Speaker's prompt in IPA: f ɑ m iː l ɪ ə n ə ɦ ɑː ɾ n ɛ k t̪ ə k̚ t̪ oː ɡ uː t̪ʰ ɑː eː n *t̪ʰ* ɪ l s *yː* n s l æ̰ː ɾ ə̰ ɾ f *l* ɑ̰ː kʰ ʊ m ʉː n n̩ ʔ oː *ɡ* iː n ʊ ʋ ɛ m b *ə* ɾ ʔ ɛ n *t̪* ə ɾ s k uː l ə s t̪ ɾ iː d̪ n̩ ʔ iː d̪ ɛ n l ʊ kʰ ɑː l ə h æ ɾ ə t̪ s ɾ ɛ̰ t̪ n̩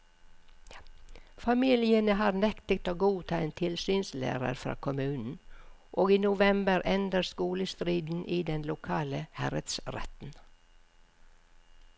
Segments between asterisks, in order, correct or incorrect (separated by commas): correct, correct, incorrect, correct, correct, incorrect